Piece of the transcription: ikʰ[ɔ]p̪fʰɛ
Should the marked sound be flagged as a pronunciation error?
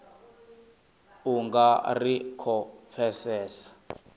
no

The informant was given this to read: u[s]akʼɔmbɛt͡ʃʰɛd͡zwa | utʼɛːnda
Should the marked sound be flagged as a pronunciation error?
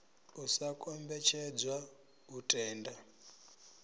no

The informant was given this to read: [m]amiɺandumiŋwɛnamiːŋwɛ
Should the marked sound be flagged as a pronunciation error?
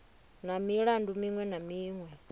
yes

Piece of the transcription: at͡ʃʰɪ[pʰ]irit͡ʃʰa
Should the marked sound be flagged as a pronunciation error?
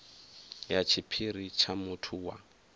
no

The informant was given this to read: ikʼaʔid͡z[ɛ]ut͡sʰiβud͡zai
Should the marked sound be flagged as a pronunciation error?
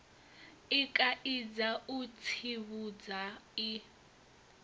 yes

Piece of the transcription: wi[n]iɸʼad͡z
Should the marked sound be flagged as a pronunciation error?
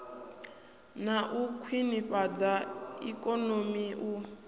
no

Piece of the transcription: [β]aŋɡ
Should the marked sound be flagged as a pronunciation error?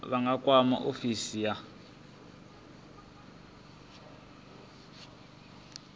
no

